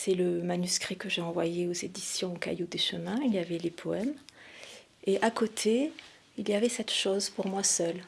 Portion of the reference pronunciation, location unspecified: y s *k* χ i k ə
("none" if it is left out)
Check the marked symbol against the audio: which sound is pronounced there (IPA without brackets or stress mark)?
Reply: k